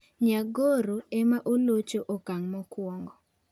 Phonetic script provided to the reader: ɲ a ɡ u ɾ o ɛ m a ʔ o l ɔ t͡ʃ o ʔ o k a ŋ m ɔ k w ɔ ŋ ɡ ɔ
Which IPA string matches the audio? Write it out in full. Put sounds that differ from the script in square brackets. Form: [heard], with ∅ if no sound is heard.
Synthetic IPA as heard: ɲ a ɡ [o] ɾ o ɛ m a ʔ o l [o] t͡ʃ o ʔ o k a ŋ m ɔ k w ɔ ŋ ɡ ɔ